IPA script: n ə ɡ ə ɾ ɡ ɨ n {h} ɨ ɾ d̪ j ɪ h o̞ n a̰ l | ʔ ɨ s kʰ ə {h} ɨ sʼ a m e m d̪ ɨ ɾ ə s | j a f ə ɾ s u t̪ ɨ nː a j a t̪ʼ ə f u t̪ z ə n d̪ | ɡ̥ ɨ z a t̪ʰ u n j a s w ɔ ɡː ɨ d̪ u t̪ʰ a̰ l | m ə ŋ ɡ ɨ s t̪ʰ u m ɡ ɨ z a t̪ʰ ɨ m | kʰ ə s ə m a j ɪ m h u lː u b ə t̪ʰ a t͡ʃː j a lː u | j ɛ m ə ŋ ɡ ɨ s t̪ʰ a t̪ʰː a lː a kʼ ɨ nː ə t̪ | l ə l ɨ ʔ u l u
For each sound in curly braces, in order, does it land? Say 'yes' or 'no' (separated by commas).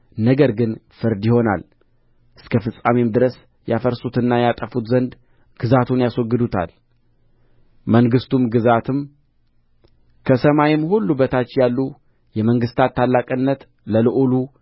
no, no